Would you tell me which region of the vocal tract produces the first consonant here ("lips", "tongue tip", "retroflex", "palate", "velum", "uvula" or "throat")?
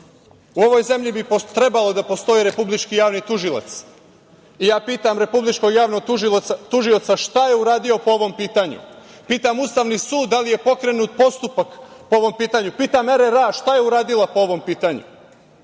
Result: lips